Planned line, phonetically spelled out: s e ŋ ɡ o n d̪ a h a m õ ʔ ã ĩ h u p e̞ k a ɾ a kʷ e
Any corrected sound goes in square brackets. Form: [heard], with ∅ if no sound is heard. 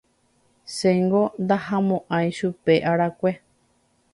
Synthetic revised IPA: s e ŋ ɡ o n d̪ a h a m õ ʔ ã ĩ [ʃ] u p e̞ [ʔ] a ɾ a kʷ e